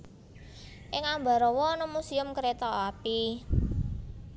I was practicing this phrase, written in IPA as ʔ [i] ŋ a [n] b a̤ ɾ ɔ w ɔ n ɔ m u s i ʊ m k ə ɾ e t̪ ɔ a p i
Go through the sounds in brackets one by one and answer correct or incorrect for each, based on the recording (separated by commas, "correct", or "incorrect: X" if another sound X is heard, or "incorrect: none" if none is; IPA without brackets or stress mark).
incorrect: ɪ, incorrect: m